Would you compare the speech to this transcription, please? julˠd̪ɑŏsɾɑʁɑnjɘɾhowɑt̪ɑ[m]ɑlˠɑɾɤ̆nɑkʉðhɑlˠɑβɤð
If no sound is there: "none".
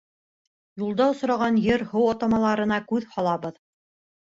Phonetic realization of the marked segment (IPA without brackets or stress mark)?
m